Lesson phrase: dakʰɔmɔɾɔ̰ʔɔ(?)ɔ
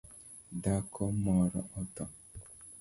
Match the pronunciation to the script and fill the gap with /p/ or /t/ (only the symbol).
t